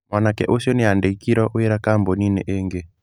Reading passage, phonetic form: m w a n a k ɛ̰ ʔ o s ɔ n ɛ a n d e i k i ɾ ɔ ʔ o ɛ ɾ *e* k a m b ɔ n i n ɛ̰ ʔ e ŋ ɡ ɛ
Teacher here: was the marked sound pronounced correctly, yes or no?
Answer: no